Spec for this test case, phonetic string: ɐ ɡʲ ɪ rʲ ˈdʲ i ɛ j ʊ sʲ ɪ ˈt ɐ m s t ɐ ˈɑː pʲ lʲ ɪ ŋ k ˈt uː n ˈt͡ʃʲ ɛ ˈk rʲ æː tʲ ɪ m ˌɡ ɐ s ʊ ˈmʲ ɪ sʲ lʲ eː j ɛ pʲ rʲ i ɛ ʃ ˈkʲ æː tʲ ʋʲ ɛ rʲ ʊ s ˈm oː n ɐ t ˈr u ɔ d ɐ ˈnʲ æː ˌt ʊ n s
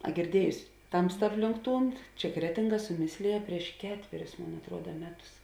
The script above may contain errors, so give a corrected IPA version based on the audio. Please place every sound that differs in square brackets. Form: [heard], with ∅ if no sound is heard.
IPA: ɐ ɡʲ ɪ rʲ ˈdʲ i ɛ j ʊ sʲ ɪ ˈt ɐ m s t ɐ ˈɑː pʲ lʲ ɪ ŋ k ˈt uː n ˈt͡ʃʲ ɛ ˈk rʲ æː tʲ ɪ [ŋ] ˌɡ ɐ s ʊ ˈmʲ ɪ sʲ lʲ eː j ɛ pʲ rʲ i ɛ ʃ ˈkʲ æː tʲ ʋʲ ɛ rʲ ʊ s ˈm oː n ɐ t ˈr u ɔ d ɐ [ˈmʲ] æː ˌt ʊ [∅] s